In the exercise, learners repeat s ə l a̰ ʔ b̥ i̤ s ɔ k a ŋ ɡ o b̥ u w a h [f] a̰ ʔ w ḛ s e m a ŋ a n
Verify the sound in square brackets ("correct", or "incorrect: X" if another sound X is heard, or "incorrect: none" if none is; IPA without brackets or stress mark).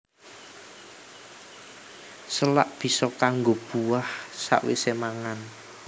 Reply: incorrect: s